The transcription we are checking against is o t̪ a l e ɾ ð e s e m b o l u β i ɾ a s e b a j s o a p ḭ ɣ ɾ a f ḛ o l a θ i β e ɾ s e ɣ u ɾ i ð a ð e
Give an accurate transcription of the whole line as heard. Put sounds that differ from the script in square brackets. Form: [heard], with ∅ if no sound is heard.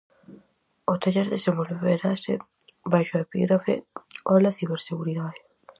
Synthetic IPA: o t̪ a [ʎ] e ɾ ð e s e m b o l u β [e] ɾ a s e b a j [ʃ] o [e] p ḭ ɣ ɾ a f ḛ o l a θ i β e ɾ s e ɣ u ɾ i ð a ð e